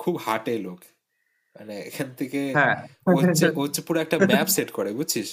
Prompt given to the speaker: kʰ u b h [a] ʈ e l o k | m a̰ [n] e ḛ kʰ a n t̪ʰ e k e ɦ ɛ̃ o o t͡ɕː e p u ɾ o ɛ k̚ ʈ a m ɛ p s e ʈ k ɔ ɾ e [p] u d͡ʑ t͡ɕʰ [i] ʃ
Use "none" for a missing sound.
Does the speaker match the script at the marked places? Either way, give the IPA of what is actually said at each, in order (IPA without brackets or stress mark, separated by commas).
a, n, b, i